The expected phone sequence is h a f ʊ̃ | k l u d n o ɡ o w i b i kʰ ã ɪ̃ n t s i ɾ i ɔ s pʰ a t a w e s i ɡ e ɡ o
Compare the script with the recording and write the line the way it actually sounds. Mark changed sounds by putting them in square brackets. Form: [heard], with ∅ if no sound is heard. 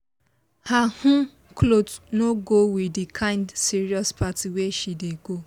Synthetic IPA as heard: h a [h] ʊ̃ | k l [o] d n o ɡ o w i [d] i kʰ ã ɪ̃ n [d] s i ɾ i ɔ s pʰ a t [i] w e [ʃ] i [d] e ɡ o